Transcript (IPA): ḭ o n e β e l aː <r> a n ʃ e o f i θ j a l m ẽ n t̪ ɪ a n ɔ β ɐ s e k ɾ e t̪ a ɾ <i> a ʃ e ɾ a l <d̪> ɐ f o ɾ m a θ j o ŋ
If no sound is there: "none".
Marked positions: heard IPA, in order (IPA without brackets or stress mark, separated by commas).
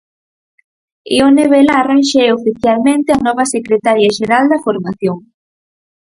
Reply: r, j, d̪